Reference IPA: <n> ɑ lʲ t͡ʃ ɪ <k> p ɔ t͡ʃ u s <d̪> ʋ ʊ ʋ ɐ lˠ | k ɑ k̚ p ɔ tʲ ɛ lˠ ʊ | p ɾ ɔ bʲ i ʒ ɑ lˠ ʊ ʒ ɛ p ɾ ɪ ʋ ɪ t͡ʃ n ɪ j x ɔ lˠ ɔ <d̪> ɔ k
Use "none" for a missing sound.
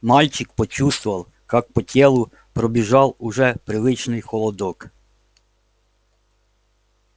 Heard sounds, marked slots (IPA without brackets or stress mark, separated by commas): m, k, t̪, d̪